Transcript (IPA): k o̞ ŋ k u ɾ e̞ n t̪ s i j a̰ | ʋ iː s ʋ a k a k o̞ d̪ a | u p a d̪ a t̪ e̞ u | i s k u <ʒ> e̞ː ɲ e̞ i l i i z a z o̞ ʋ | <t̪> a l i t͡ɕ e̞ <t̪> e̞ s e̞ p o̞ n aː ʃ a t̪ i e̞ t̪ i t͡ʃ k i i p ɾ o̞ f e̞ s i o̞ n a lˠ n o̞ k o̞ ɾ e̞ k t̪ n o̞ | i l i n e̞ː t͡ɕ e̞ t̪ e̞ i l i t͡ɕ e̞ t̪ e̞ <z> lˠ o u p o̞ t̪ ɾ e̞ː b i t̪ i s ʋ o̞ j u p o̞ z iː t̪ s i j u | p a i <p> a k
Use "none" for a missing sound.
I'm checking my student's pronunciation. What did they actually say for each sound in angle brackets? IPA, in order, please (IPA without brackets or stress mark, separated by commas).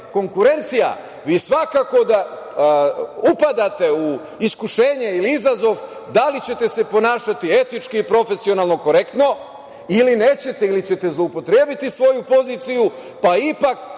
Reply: ʃ, d̪, t̪, z, p